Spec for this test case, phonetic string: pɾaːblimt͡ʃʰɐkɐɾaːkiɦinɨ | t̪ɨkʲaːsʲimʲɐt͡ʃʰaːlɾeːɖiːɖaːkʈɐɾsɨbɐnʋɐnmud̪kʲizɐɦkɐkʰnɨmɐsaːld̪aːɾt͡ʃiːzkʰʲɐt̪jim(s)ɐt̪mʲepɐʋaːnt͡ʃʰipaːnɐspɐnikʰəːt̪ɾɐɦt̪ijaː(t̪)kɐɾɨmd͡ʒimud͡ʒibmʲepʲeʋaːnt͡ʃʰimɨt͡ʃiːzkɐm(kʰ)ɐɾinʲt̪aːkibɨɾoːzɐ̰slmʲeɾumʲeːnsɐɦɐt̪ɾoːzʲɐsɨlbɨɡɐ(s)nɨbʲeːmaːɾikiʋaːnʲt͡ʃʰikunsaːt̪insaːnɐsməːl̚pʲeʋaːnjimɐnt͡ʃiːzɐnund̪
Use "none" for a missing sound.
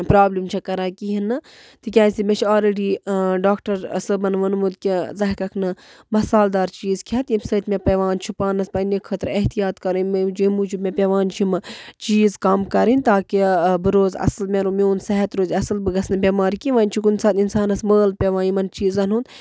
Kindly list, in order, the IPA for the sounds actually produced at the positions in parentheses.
s, t̪, k, s

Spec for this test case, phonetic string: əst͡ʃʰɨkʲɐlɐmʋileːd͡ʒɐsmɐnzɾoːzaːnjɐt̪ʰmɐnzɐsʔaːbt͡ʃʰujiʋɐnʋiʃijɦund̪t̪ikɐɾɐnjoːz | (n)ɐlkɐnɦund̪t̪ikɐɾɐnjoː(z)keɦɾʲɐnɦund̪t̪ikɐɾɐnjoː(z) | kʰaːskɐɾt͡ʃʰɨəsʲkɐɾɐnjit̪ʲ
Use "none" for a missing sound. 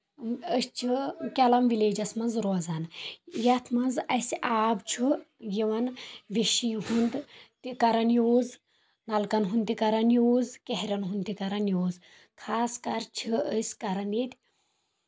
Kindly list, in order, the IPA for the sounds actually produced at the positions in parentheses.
n, z, z

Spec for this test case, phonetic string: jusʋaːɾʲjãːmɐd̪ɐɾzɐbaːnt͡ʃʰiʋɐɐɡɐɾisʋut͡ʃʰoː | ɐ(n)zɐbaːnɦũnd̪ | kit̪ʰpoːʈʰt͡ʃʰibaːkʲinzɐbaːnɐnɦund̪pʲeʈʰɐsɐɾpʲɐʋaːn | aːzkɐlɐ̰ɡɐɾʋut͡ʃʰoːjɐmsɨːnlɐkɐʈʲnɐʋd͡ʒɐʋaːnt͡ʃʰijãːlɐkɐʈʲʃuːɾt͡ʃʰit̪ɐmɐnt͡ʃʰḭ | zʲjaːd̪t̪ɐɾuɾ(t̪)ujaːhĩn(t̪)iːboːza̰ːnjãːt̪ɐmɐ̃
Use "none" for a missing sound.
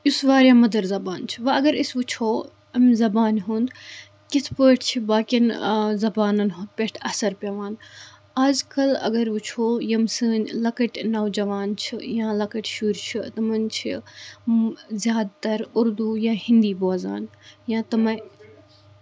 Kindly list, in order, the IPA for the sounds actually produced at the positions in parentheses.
m, d̪, d̪

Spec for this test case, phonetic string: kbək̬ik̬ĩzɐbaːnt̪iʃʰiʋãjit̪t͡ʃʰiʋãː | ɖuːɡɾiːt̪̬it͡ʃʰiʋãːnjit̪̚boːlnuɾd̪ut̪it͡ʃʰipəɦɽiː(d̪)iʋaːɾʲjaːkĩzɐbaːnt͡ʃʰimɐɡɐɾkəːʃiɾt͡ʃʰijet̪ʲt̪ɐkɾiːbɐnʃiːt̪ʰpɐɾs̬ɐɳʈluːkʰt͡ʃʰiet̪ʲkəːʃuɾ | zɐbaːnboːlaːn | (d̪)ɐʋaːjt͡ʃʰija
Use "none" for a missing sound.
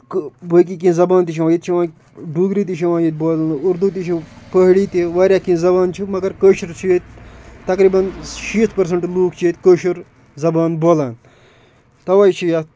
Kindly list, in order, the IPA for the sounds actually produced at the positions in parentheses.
t̪, t̪

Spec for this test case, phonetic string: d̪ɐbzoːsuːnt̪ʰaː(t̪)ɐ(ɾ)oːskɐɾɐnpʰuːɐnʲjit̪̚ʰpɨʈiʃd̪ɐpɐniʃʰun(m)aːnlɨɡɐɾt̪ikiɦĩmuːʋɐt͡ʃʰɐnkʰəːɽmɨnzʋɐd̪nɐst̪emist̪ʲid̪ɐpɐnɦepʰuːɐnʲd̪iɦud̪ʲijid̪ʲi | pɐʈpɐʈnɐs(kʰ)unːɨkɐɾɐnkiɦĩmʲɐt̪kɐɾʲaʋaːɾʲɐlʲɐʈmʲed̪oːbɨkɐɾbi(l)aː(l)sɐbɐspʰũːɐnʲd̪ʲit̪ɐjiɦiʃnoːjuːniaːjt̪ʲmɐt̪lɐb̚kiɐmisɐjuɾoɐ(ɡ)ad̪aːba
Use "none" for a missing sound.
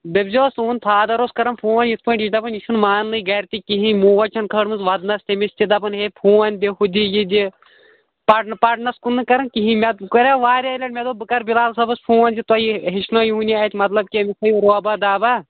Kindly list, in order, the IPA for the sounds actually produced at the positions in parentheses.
d̪, ɾ, m, k, l, l, b

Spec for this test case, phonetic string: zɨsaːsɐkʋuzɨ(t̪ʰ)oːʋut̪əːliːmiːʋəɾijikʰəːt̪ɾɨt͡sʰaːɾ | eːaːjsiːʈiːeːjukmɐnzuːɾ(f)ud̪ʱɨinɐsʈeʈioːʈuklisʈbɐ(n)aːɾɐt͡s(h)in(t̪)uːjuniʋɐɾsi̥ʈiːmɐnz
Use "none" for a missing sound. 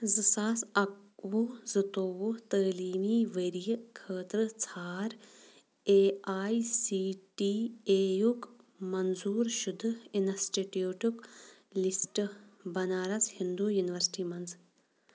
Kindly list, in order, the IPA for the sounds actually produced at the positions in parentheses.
t̪, ʃ, n, h, d̪

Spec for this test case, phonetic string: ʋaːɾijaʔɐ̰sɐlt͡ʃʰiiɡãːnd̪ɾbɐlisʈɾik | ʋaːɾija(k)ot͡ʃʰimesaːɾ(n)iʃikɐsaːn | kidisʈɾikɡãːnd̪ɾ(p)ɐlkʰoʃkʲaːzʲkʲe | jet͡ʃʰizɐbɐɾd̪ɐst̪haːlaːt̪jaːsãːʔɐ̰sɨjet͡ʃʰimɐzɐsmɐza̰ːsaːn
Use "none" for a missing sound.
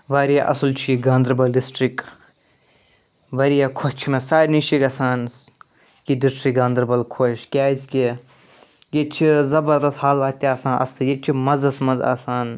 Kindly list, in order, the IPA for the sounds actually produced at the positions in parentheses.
kʰ, n, b

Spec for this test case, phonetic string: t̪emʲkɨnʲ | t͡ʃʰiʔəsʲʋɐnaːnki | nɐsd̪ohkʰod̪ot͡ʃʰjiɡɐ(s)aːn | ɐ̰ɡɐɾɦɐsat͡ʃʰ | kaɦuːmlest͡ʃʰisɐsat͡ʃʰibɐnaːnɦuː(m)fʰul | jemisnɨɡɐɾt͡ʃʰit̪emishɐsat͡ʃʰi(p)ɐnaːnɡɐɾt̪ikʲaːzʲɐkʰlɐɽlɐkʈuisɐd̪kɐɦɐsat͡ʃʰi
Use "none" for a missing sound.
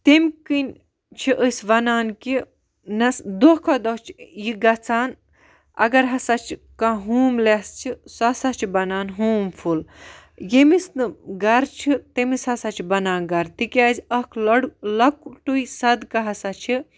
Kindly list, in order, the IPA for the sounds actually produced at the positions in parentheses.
t͡s, m, b

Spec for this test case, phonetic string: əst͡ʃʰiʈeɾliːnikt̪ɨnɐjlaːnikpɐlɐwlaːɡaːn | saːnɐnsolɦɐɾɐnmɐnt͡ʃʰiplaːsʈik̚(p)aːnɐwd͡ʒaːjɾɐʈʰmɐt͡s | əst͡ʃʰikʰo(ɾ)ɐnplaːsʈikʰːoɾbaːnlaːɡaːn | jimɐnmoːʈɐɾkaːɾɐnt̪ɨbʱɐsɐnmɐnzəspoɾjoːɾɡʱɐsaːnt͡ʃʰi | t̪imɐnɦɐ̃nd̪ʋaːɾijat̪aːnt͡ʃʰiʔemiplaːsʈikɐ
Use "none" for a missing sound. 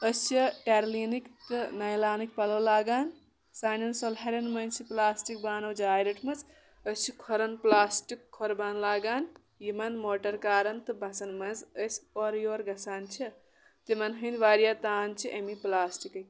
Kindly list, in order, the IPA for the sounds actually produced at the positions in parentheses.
b, ɾ

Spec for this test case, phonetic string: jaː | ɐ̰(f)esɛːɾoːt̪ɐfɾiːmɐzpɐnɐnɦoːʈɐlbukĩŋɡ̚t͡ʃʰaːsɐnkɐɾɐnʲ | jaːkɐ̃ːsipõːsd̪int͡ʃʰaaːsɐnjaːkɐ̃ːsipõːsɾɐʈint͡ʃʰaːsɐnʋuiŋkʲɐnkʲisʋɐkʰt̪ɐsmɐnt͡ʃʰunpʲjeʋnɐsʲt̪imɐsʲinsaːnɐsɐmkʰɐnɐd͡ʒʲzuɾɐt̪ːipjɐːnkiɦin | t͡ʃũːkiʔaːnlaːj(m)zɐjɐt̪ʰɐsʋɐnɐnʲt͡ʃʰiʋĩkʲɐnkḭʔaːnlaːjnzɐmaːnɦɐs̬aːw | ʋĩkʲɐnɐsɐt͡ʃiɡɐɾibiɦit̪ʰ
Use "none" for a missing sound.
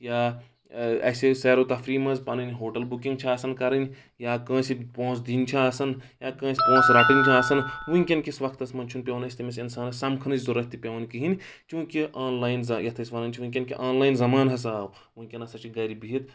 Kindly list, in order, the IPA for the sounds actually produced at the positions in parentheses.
s, n

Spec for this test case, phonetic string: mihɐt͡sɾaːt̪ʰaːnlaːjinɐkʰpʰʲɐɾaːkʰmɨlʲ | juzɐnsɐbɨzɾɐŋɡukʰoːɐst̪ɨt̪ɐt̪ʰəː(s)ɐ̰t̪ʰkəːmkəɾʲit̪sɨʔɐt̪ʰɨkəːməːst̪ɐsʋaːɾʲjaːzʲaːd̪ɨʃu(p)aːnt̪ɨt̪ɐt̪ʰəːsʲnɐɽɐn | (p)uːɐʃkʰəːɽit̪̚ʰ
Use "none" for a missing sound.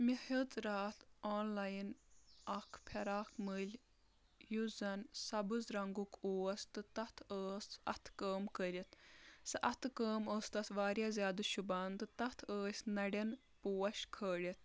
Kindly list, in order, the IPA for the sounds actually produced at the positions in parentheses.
s, b, p

